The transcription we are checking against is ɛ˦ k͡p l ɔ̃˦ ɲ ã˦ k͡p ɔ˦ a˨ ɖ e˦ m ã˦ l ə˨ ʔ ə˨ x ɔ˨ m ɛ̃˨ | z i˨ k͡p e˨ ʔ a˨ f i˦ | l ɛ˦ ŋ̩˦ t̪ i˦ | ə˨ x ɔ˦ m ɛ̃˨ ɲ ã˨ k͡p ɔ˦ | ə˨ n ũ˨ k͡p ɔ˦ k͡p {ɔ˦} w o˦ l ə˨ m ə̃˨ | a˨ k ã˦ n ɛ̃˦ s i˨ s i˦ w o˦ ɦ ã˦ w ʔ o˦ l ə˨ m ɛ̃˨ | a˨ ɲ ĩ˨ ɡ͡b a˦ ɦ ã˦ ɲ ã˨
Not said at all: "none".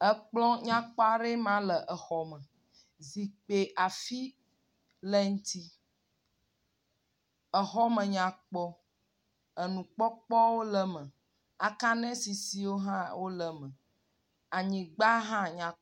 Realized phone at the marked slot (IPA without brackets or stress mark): ɔ˦